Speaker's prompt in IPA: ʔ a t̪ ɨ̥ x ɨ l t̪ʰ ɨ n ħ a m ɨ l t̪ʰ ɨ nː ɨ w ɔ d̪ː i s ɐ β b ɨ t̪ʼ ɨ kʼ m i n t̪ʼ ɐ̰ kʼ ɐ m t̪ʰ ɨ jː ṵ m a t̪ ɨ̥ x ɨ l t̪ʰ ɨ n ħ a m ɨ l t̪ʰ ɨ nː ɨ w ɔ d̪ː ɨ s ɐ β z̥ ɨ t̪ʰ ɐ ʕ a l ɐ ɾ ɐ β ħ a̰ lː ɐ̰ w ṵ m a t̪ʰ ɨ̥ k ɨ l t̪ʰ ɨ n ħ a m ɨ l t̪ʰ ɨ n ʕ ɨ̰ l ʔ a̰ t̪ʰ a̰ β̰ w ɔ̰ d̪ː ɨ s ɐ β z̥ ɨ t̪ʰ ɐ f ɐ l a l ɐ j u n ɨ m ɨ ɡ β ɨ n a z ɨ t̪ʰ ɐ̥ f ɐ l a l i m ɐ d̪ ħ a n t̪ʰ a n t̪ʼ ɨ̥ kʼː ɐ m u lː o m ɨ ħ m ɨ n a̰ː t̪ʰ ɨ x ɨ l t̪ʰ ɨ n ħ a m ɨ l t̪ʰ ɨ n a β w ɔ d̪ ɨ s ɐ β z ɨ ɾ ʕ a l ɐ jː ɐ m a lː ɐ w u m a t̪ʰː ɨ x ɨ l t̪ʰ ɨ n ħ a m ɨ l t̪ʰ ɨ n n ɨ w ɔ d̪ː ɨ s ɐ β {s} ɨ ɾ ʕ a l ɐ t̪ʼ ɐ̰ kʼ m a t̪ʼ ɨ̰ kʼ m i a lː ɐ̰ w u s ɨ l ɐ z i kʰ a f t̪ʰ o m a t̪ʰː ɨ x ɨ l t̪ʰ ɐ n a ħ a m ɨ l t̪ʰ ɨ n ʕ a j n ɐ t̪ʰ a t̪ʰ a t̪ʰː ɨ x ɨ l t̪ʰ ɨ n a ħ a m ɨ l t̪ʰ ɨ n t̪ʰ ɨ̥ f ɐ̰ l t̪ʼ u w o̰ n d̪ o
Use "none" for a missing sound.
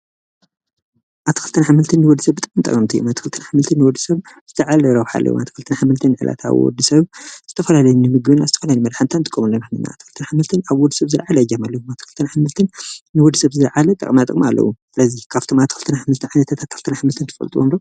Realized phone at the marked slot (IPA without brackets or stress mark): z